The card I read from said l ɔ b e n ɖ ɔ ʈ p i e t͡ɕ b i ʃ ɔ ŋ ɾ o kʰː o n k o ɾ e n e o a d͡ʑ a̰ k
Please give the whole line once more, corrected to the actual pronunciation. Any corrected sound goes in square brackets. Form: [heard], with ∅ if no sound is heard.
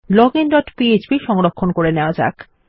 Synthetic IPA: l ɔ [ɡ] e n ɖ ɔ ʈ p i e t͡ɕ b i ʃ ɔ ŋ ɾ o kʰː o n k o ɾ e n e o a d͡ʑ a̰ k